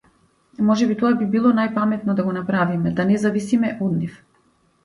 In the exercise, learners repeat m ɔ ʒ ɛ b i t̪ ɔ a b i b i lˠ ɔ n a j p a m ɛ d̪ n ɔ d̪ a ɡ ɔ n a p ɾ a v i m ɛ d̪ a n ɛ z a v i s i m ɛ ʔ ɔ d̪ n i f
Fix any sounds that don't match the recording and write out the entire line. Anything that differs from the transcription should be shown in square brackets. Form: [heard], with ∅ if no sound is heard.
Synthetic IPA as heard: m ɔ ʒ ɛ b i t̪ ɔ a b i b i lˠ ɔ n a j p a m ɛ [t̪] n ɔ d̪ a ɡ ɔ n a p ɾ a v i m ɛ d̪ a n ɛ z a v i s i m ɛ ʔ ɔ d̪ n i f

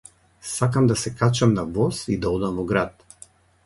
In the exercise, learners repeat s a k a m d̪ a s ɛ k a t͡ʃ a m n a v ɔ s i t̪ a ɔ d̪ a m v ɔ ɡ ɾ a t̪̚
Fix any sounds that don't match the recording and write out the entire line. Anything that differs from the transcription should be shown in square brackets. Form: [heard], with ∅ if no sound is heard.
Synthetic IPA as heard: s a k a m d̪ a s ɛ k a t͡ʃ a m n a v ɔ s i [d̪] a ɔ d̪ a m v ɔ ɡ ɾ a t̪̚

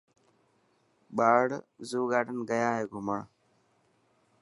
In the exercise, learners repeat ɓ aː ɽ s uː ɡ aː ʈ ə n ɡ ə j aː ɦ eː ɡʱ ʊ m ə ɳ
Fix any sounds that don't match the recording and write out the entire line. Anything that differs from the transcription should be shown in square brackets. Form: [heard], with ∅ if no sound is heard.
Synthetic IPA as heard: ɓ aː ɽ [z] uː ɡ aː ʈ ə n ɡ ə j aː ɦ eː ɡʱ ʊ m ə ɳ

